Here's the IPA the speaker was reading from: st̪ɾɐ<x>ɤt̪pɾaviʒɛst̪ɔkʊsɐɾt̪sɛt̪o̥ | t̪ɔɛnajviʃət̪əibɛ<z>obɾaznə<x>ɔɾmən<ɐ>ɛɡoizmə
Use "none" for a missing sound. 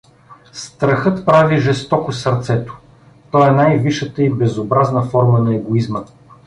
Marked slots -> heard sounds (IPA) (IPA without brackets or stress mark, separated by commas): x, z, f, ɐ